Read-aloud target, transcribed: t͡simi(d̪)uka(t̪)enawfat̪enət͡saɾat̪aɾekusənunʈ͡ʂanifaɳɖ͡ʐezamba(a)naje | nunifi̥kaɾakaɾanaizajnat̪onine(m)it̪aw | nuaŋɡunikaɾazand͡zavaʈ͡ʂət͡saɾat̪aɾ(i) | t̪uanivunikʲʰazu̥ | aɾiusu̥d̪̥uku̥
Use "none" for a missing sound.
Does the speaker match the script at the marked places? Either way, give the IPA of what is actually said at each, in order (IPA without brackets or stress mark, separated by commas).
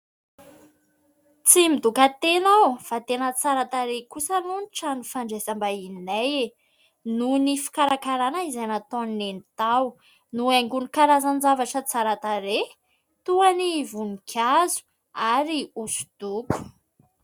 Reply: d̪, t̪, i, n, e